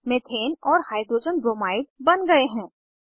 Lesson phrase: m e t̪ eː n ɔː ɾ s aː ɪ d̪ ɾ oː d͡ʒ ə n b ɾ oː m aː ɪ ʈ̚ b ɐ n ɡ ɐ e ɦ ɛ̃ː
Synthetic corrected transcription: m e t̪ʰ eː n ɔː ɾ h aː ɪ d̪ ɾ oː d͡ʒ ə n b ɾ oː m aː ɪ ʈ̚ b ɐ n ɡ ɐ e ɦ ɛ̃ː